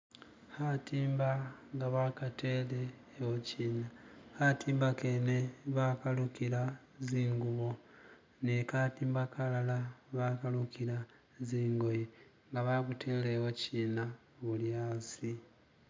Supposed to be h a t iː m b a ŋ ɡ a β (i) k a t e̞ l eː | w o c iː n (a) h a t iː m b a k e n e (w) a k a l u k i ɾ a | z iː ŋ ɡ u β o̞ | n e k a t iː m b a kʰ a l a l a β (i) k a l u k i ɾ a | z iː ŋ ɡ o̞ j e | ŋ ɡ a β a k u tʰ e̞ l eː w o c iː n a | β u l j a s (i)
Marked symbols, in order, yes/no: no, yes, no, no, yes

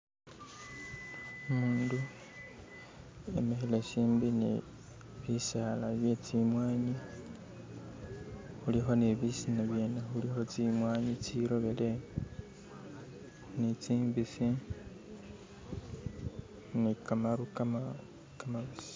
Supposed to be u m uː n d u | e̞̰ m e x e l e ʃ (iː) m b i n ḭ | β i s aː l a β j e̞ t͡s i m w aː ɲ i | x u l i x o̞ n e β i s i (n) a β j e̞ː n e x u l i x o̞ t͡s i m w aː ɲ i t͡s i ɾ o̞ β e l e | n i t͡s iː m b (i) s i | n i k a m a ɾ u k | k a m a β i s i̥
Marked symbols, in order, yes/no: yes, yes, yes

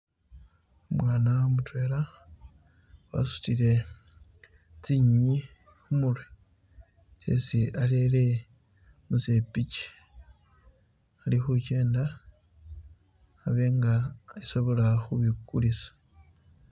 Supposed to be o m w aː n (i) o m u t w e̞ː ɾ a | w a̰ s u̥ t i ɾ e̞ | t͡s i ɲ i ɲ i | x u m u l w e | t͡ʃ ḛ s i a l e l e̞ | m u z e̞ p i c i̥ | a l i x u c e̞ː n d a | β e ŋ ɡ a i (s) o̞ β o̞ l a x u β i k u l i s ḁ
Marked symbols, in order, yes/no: no, yes

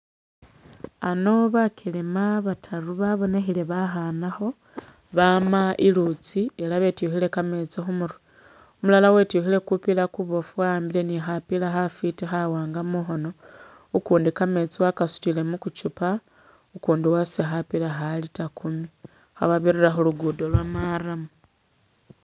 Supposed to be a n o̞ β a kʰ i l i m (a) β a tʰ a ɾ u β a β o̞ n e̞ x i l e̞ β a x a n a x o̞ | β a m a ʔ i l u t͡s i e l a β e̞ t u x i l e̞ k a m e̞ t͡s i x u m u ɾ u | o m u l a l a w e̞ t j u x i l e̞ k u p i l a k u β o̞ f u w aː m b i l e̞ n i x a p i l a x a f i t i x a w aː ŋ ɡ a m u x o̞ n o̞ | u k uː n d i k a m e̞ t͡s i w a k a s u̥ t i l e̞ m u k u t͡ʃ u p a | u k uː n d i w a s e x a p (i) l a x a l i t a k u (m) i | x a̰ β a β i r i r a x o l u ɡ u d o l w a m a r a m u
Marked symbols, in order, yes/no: yes, yes, yes

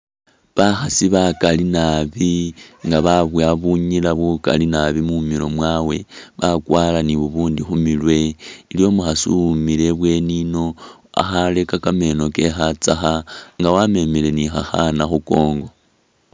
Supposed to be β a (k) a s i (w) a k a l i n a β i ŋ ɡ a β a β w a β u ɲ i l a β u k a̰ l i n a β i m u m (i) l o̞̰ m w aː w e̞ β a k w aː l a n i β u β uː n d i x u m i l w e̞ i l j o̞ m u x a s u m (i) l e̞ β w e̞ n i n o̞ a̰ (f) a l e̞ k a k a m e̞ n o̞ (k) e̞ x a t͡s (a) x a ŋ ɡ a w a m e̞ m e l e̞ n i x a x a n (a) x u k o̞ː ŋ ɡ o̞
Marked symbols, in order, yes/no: no, no, yes, yes, no, yes, yes, yes

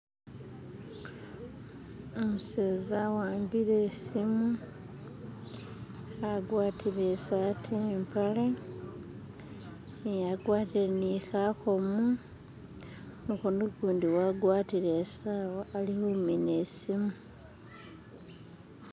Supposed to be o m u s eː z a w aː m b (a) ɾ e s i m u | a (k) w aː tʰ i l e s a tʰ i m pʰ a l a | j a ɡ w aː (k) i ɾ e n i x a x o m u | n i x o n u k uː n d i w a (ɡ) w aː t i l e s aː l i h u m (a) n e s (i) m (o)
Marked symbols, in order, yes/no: no, no, no, yes, no, yes, no

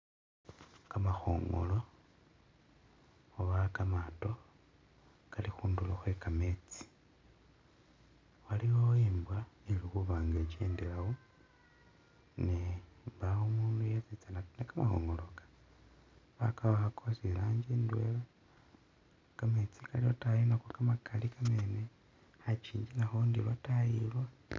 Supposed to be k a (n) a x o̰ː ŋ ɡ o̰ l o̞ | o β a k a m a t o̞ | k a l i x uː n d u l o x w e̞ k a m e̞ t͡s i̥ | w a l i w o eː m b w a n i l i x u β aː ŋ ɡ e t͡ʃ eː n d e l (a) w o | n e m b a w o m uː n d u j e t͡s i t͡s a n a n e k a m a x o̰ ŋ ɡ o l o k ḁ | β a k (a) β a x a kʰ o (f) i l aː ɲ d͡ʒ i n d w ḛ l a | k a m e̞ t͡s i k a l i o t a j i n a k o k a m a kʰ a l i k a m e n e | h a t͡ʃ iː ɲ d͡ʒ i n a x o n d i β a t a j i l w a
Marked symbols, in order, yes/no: no, yes, yes, no

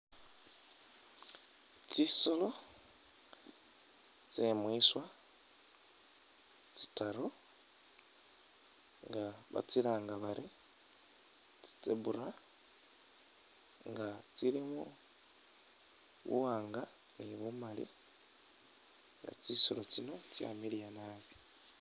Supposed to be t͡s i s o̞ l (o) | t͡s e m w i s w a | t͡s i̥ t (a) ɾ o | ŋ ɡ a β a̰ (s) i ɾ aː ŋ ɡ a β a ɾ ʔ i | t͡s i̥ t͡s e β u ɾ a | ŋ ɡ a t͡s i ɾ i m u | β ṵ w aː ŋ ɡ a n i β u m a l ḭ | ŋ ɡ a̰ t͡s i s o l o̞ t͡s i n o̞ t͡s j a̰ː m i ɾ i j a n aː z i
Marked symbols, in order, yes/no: yes, yes, no

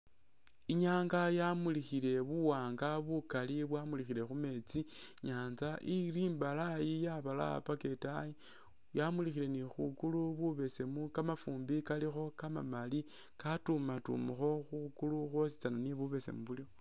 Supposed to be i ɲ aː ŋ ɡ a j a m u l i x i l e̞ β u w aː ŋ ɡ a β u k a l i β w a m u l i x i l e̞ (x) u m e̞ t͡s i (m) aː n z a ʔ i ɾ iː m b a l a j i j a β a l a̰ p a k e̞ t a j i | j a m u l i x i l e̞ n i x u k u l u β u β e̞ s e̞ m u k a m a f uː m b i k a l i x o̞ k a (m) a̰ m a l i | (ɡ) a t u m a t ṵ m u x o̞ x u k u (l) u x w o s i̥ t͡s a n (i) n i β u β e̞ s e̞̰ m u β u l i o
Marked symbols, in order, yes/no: yes, no, yes, no, yes, no

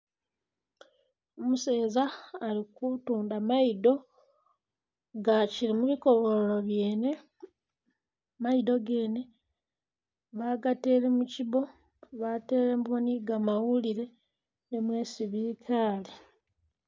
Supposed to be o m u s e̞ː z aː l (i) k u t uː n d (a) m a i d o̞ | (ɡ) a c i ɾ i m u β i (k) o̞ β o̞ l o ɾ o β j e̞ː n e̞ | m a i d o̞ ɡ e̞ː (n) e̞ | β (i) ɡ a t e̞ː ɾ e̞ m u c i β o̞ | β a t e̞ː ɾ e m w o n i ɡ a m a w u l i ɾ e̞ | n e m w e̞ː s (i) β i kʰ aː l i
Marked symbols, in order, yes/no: yes, yes, yes, yes, yes, no, yes

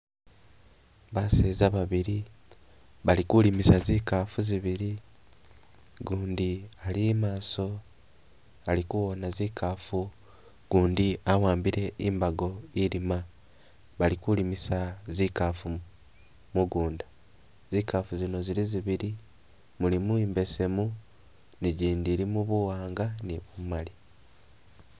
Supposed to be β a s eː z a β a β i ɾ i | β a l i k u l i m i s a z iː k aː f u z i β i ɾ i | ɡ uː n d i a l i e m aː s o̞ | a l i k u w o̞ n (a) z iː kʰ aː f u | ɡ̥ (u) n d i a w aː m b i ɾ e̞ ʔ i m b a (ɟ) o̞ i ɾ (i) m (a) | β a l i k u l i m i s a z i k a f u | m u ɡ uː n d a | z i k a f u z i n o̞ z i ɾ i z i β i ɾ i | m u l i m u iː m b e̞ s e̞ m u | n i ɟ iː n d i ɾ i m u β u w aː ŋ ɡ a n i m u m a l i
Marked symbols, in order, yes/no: yes, no, no, yes, yes

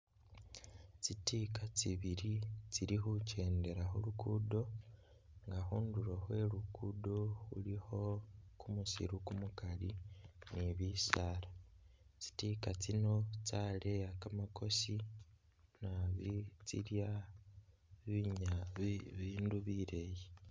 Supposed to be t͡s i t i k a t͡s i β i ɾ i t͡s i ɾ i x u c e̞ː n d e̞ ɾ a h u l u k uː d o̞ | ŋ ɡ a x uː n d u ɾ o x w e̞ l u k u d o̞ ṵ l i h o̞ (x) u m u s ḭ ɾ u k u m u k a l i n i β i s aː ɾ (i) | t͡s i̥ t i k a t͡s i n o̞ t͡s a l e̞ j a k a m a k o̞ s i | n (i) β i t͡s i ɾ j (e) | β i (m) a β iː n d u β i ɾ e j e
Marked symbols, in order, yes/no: no, no, no, no, no

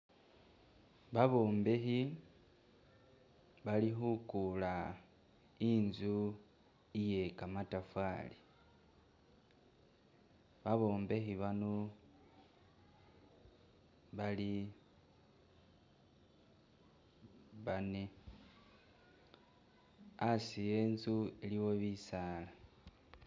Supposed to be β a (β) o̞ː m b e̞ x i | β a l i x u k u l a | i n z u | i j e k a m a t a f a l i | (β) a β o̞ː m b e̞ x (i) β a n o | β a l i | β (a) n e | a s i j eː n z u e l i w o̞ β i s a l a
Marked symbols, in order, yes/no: yes, yes, yes, yes

